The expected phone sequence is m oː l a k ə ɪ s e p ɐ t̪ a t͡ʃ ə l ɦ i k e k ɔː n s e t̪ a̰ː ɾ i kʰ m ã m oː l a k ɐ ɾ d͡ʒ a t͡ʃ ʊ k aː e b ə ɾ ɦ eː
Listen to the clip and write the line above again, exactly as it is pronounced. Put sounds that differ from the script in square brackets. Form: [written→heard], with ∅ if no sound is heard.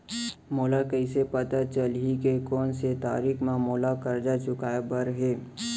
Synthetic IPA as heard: m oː l a k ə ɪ s e p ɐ t̪ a t͡ʃ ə l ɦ i k e k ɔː n s e t̪ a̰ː ɾ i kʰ m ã m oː l a k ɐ ɾ d͡ʒ a t͡ʃ ʊ k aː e b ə ɾ ɦ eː